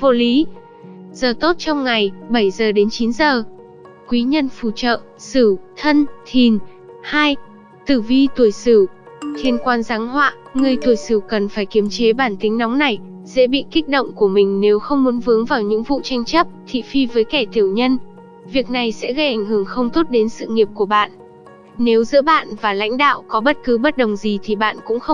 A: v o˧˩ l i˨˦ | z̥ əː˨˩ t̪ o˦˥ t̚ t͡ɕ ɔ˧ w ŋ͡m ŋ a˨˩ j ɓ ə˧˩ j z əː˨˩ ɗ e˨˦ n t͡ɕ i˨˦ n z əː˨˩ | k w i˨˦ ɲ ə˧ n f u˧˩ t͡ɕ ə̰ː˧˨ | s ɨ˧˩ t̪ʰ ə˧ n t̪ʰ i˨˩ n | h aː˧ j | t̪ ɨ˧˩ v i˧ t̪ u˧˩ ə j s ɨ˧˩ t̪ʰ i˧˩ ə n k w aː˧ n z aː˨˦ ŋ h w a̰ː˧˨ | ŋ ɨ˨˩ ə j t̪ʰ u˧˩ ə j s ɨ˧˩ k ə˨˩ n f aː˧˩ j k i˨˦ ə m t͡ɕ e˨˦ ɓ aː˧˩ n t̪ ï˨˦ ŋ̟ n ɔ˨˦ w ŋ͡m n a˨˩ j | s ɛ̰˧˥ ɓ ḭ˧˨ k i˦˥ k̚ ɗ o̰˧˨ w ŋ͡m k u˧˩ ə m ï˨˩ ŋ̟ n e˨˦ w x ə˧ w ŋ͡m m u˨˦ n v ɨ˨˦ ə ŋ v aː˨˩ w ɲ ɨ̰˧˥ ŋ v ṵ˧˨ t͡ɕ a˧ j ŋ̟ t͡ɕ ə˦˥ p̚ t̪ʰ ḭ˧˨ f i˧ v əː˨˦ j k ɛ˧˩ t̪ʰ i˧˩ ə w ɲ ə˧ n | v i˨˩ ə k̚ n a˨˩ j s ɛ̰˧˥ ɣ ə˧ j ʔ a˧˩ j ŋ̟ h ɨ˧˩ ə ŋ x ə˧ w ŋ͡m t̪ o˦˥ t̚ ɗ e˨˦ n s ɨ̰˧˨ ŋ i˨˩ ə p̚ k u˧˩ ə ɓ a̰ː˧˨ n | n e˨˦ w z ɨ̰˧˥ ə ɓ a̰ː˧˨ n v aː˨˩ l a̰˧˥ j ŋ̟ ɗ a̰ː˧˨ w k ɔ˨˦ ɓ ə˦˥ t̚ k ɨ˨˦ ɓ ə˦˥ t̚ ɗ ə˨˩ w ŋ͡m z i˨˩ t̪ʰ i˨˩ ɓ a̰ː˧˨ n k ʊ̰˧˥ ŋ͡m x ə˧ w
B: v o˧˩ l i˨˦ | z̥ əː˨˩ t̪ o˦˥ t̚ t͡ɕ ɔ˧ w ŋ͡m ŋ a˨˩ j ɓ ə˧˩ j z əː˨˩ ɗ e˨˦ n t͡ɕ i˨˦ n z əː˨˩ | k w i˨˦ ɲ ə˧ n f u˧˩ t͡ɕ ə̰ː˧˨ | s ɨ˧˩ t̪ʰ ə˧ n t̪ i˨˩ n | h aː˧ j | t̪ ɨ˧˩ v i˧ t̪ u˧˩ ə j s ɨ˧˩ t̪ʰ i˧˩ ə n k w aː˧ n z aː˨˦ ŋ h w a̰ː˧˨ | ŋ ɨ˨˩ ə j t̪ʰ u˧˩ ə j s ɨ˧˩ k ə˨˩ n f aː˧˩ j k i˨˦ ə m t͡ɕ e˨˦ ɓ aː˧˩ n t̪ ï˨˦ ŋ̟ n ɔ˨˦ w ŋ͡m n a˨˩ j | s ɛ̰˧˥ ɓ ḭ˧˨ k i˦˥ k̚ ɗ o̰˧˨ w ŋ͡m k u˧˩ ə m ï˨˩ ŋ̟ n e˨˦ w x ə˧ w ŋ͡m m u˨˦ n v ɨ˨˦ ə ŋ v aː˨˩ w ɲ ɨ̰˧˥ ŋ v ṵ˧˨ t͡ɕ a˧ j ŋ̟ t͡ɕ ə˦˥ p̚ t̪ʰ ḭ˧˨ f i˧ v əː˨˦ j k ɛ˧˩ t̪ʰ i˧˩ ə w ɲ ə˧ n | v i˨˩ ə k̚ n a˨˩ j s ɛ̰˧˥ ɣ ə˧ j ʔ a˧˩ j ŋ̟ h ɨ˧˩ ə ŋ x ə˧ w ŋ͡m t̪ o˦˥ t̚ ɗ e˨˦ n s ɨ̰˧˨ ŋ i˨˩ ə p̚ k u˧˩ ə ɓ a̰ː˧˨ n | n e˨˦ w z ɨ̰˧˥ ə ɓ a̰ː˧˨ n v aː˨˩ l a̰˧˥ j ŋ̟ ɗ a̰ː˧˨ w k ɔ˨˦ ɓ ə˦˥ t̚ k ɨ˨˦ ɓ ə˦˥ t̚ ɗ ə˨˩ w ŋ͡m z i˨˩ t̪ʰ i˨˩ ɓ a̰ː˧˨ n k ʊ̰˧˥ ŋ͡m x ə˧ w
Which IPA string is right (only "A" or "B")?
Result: A